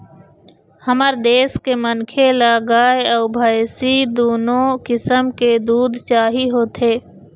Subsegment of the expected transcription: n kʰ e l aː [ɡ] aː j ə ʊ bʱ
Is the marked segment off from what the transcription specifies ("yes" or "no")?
no